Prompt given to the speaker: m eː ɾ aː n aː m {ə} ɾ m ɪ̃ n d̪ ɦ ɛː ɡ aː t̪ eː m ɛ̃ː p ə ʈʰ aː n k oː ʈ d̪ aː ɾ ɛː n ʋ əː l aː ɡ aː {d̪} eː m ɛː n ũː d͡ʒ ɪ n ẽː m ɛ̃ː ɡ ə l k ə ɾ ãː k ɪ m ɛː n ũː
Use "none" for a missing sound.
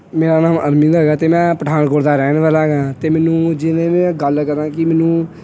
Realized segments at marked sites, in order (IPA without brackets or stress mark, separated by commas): ə, t̪